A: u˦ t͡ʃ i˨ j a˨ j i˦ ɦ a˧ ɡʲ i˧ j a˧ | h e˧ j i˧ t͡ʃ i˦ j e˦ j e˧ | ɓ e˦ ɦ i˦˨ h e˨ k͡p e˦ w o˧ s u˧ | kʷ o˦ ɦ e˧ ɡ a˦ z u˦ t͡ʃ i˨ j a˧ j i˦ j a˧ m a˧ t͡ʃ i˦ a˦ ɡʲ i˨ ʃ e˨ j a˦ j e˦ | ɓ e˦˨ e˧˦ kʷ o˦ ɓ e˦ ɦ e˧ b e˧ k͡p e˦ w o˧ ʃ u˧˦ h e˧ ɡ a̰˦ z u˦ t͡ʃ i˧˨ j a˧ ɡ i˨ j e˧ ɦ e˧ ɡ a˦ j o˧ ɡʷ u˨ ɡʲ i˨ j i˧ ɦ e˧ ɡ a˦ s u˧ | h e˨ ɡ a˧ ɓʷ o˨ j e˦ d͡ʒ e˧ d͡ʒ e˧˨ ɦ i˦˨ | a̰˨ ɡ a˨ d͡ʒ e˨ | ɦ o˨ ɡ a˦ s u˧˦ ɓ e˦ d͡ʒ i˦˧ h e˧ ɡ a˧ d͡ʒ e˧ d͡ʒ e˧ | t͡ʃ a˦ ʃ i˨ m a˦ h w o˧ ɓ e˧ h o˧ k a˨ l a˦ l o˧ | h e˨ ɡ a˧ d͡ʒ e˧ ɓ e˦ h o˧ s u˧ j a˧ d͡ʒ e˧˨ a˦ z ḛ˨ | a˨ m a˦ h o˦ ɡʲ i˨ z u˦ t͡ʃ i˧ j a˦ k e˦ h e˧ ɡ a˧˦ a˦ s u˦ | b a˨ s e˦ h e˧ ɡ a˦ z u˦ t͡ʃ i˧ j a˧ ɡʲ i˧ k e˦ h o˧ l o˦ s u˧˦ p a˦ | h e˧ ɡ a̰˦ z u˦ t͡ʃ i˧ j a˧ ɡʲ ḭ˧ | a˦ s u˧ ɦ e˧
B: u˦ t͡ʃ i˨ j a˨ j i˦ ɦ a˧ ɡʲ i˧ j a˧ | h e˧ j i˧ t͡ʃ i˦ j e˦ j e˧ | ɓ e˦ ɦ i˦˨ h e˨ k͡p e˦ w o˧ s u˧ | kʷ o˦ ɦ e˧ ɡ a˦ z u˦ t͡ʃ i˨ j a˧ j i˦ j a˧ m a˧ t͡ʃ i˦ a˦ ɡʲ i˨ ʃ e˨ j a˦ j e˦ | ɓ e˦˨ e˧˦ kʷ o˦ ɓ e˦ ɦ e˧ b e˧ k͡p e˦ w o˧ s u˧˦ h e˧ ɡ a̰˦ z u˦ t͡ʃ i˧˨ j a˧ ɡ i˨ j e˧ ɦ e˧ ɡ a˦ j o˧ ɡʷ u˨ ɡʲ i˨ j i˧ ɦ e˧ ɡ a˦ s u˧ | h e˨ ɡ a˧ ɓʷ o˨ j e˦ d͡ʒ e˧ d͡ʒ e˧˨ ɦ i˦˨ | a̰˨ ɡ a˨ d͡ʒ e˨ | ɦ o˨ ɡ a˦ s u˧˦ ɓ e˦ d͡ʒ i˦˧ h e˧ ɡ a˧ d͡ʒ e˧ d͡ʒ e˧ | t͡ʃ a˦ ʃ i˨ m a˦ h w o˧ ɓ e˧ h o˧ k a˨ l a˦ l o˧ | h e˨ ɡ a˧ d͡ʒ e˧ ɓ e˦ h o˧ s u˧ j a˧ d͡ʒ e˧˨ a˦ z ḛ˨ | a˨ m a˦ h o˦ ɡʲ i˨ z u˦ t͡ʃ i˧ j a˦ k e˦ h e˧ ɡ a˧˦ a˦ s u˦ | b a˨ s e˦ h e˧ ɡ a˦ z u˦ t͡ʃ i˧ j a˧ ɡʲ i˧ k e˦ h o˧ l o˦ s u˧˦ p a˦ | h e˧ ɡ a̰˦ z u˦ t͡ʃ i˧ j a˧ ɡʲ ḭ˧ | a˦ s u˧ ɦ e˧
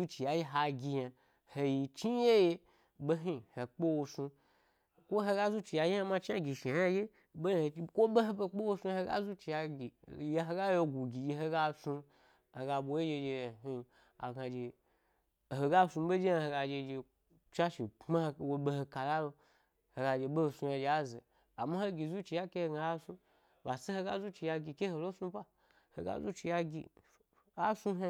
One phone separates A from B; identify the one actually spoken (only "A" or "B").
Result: B